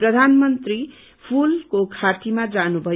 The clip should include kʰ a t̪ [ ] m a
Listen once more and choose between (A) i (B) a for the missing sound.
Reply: A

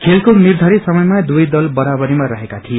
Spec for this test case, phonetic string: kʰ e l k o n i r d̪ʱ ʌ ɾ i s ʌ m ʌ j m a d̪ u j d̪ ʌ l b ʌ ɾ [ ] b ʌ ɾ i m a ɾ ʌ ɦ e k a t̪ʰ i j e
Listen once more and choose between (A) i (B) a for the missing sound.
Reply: B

